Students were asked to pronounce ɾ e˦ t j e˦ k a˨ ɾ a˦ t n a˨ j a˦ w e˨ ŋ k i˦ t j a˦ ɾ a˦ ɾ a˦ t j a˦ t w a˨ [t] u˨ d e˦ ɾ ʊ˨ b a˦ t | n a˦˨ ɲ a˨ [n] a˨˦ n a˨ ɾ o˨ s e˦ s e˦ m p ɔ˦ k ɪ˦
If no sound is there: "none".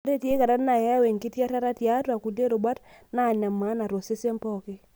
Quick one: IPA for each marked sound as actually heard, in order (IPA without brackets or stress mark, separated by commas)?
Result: k, m